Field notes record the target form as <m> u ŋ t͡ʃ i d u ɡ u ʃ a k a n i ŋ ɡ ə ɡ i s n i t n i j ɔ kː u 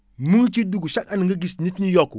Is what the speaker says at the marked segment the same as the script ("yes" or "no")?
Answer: yes